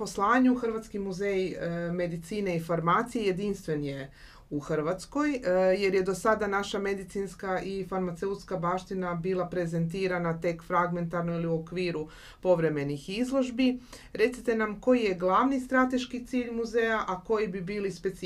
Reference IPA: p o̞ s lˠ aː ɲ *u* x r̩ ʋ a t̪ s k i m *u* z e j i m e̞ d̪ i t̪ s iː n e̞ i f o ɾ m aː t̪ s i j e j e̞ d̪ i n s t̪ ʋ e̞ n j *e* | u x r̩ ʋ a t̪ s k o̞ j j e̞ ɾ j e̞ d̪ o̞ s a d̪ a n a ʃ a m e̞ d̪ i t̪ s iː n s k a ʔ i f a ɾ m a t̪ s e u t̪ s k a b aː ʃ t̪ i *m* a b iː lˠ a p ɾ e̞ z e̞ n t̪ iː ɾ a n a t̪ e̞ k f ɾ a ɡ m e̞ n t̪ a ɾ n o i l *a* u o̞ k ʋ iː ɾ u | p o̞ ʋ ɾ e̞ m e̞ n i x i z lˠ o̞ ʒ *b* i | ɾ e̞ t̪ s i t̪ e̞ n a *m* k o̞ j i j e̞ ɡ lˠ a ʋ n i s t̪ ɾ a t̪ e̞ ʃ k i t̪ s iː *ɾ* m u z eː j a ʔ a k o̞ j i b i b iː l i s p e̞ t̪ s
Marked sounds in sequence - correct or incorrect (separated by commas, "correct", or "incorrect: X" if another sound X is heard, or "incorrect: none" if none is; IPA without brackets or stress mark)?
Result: correct, correct, correct, incorrect: n, incorrect: i, correct, correct, incorrect: ʎ